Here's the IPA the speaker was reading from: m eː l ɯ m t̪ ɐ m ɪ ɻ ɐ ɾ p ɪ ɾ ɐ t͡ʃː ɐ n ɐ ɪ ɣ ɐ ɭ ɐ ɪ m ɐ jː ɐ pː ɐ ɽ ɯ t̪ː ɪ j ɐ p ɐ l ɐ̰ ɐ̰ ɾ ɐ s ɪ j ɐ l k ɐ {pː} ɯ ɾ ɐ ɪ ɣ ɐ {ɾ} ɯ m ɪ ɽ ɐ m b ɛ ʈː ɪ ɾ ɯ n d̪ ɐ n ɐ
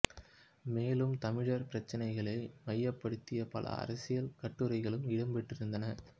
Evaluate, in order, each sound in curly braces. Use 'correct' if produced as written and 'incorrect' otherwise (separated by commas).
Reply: incorrect, incorrect